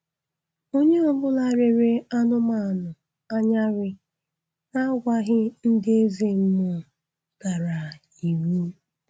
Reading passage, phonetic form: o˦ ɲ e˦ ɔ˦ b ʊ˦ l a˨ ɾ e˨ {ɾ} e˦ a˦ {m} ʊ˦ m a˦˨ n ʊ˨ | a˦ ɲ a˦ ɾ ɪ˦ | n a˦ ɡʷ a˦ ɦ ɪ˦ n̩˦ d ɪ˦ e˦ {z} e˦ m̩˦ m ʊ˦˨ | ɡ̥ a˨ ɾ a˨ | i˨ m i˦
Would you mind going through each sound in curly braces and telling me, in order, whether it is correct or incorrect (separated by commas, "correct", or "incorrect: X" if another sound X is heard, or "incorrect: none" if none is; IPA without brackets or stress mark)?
correct, incorrect: n, correct